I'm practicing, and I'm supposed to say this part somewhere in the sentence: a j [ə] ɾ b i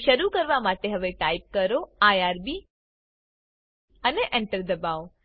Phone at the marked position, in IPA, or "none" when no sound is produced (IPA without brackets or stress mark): a